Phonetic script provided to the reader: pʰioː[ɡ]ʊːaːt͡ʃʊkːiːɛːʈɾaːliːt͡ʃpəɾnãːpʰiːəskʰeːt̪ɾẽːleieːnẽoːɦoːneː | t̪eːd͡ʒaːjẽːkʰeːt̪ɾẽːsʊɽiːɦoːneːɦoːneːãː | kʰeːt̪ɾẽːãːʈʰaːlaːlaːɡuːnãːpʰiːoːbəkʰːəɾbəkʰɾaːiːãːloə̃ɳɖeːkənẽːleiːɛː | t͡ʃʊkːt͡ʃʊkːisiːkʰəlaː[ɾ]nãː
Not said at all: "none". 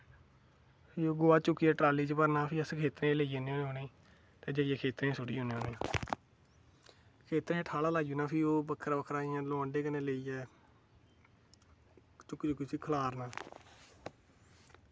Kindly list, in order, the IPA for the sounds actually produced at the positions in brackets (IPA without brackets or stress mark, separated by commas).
ɡ, ɾ